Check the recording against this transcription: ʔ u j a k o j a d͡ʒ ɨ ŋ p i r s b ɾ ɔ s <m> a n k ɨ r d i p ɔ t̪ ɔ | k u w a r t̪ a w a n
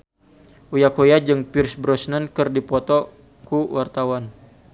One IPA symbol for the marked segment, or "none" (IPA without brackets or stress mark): n